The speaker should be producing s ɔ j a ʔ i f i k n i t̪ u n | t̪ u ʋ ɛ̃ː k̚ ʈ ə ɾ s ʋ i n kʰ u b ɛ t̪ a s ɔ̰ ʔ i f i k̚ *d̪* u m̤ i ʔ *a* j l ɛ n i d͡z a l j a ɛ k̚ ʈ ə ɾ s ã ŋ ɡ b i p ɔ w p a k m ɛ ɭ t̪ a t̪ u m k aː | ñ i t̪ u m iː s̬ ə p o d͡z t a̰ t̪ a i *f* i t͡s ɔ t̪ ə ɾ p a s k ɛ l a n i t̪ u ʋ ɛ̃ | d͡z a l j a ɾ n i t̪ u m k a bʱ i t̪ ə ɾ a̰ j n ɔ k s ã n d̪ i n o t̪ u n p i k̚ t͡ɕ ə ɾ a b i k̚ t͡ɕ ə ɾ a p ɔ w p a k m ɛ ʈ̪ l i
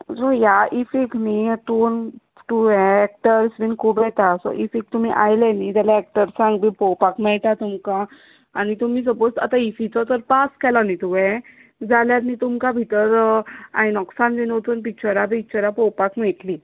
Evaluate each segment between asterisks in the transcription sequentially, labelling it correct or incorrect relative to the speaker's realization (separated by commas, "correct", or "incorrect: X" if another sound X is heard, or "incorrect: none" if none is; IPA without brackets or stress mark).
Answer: incorrect: t̪, correct, correct